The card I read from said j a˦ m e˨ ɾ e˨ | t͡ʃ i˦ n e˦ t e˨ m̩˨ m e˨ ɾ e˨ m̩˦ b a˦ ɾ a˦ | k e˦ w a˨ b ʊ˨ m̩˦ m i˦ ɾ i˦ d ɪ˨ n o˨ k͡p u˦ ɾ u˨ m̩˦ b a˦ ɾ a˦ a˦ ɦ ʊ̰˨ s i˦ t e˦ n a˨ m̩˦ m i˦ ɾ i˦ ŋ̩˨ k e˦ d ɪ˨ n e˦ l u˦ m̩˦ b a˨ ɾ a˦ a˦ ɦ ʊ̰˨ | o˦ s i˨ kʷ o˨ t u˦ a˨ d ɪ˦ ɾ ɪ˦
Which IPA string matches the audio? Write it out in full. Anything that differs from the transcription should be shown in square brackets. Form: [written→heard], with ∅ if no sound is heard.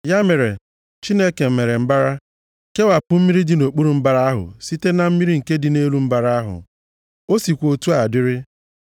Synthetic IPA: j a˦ m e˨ ɾ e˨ | t͡ʃ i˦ n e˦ [t→k] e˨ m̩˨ m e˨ ɾ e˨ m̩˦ b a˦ ɾ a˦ | k e˦ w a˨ [b→p] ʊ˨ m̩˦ m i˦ ɾ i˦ d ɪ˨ n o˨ k͡p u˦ ɾ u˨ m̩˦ b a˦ ɾ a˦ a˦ ɦ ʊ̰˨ s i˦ t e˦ n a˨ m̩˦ m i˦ ɾ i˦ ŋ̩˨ k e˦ d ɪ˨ n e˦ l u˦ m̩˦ b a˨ ɾ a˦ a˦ ɦ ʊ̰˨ | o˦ s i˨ kʷ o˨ t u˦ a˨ d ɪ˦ ɾ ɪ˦